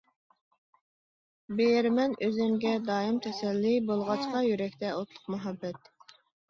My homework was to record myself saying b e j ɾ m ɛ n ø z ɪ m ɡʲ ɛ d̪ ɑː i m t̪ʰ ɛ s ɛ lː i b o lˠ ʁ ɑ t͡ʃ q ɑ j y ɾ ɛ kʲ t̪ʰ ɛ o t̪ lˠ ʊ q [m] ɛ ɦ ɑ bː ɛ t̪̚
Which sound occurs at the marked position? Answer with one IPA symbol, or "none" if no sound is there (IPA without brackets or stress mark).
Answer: m